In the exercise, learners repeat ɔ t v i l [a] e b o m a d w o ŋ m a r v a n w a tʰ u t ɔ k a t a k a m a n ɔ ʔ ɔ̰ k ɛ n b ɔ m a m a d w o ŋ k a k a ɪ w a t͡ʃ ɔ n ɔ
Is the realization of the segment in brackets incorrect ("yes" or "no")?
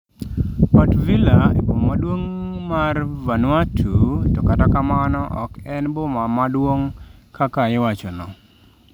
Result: no